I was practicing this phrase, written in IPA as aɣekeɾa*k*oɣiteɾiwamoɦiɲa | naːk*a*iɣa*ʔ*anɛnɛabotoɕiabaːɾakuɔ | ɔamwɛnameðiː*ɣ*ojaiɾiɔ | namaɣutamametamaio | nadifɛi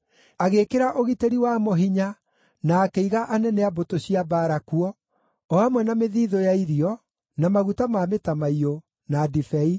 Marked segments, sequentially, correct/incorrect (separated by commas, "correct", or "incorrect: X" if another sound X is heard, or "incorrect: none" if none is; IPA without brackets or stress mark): incorrect: ʔ, incorrect: e, correct, incorrect: ð